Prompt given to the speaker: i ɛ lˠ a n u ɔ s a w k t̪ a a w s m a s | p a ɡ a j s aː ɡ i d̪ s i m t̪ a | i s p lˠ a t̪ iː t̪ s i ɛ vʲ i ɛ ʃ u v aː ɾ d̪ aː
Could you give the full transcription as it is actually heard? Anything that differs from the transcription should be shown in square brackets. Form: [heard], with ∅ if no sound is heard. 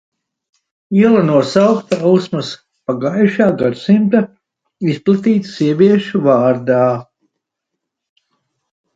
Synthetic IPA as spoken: i ɛ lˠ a n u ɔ s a w k t̪ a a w s m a s | p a ɡ a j [ʃ] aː ɡ [a] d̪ s i m t̪ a | i s p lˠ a t̪ iː t̪ s i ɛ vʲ i ɛ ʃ u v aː ɾ d̪ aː